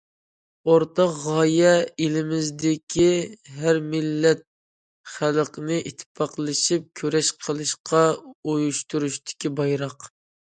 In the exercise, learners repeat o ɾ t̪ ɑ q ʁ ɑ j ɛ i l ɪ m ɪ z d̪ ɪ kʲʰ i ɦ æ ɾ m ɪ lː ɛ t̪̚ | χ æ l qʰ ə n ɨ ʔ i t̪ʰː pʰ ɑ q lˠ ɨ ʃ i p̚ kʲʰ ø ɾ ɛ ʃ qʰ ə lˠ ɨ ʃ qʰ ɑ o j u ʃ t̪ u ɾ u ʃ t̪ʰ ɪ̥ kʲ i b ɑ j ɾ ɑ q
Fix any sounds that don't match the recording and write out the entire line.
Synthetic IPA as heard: o ɾ t̪ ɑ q ʁ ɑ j ɛ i l ɪ m ɪ z d̪ ɪ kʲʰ i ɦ æ ɾ m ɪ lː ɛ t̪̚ | χ æ l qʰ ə n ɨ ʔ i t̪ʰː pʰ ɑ q lˠ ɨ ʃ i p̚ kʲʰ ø ɾ ɛ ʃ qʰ ə lˠ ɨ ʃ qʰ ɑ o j u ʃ t̪ u ɾ u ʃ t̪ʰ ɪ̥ kʲ i b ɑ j ɾ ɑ q